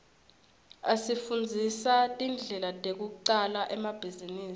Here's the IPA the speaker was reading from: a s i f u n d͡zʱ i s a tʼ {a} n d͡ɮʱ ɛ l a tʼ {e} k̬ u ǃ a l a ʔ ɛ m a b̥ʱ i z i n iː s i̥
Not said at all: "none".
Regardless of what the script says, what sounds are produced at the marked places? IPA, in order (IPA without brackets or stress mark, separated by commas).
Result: i, e